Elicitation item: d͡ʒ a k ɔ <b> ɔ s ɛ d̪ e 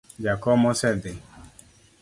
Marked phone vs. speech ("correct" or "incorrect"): incorrect